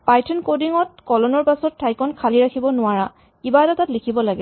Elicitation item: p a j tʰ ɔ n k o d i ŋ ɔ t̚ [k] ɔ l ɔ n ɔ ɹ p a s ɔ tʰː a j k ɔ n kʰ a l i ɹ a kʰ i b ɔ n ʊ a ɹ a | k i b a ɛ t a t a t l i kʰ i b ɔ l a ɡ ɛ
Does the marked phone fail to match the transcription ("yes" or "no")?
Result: no